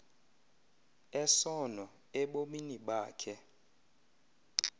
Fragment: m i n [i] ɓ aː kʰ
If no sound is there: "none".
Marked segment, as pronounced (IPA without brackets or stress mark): i